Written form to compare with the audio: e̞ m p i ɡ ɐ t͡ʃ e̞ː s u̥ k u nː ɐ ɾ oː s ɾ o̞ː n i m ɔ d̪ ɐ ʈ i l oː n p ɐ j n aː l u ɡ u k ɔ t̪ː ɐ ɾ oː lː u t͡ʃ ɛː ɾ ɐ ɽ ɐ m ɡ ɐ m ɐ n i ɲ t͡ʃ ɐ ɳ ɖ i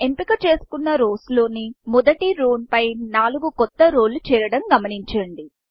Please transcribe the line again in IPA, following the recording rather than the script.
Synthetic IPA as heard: e̞ m p i k ɐ t͡ʃ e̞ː s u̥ k u nː ɐ ɾ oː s l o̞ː n i m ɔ d̪ ɐ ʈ i ɾ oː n p ɐ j n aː l u ɡ u k ɔ t̪ː ɐ ɾ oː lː u t͡ʃ ɛː ɾ ɐ ɽ ɐ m ɡ ɐ m ɐ n i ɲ t͡ʃ ɐ ɳ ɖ i